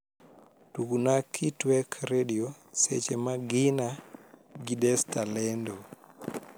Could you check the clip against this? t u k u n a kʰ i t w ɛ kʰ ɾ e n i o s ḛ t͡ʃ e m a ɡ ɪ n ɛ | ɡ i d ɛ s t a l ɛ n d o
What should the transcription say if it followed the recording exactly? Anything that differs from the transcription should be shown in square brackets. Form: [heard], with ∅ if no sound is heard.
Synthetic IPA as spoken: t u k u n a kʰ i t w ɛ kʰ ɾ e [d] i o s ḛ t͡ʃ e m a ɡ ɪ n [a] | ɡ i d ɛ s t a l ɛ n d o